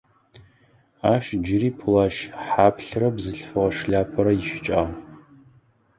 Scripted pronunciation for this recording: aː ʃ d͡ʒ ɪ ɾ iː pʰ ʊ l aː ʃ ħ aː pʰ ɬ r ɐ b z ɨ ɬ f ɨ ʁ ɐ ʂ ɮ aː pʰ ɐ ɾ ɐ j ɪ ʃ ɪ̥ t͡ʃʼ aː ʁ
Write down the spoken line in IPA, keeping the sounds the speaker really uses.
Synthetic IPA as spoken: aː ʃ d͡ʒ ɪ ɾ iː pʰ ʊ l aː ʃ ħ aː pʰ ɬ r ɐ b z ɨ ɬ f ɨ ʁ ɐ ʂ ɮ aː pʰ ɐ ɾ ɐ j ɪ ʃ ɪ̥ t͡ʃʼ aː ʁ